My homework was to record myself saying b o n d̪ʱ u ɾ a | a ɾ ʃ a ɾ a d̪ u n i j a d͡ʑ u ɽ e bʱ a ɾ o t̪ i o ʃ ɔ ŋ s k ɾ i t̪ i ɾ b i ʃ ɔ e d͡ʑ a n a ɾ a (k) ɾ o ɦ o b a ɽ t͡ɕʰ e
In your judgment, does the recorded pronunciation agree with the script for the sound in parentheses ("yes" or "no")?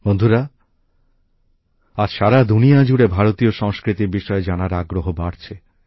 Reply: no